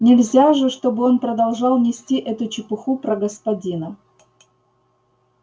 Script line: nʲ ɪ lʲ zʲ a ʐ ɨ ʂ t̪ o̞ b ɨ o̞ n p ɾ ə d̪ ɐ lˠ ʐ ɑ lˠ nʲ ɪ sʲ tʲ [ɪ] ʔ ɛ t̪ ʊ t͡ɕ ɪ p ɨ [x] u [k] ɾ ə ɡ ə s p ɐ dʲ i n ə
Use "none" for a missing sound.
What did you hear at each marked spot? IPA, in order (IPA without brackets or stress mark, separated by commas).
i, x, p